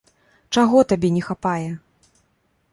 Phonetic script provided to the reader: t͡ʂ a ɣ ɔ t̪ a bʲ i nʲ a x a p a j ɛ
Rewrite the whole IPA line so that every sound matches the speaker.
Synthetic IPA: t͡ʂ a ɣ ɔ t̪ a bʲ ɛ nʲ ɛ x a p a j ɛ